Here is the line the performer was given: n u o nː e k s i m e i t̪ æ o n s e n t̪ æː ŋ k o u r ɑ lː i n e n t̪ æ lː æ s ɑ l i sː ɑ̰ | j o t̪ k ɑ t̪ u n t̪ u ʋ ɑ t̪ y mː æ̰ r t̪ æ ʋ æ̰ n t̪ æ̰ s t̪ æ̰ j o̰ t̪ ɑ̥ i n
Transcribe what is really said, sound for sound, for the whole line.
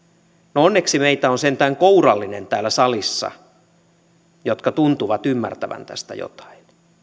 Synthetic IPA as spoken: n o o nː e k s i m e i t̪ æ o n s e n t̪ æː ŋ k o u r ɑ lː i n e n t̪ æː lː æ s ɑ l i sː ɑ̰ | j o t̪ k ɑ t̪ u n t̪ u ʋ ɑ t̪ y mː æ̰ r t̪ æ ʋ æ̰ n t̪ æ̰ s t̪ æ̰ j o̰ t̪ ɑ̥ i n